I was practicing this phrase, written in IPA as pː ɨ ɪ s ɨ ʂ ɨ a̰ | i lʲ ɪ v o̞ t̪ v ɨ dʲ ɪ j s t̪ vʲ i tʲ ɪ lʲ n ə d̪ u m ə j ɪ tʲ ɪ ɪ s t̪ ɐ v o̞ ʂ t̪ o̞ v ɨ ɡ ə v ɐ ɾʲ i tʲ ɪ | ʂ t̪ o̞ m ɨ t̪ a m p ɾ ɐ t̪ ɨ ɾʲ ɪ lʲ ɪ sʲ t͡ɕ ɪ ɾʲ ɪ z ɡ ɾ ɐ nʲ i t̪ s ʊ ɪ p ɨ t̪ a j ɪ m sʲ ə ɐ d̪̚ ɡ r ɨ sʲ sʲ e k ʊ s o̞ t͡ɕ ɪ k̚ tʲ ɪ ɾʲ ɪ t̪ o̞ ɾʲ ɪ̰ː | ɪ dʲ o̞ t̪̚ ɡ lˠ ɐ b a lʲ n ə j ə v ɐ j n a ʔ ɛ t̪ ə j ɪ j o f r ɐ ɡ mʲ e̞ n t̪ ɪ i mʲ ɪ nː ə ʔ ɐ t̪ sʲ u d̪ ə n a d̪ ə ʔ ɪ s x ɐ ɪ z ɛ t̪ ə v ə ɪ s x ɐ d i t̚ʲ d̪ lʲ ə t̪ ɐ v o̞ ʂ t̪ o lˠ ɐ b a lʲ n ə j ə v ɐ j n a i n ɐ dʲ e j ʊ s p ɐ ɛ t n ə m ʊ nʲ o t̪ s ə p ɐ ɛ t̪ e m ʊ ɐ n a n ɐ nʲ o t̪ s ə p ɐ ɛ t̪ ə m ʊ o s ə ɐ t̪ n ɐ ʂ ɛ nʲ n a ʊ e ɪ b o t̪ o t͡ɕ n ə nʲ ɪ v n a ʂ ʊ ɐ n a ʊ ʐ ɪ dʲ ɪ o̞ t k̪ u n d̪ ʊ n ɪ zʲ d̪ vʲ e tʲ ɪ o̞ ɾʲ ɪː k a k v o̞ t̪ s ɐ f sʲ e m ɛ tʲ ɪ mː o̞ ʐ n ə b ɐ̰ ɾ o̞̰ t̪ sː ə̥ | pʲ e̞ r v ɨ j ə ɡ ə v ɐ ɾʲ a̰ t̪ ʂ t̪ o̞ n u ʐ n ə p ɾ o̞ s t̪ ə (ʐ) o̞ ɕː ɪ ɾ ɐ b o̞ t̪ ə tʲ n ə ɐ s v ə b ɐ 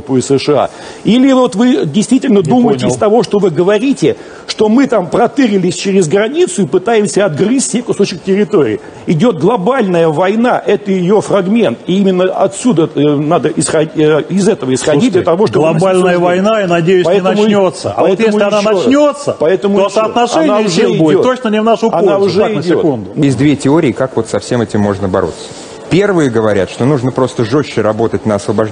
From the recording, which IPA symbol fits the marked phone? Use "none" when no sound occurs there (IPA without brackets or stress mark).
ʐ